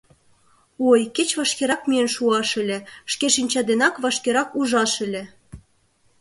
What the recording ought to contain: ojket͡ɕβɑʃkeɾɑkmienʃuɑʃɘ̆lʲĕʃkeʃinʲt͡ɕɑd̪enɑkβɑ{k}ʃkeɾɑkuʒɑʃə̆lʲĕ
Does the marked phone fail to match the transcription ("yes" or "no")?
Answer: yes